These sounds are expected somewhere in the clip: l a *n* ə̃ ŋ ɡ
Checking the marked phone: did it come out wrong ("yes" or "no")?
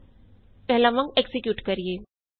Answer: yes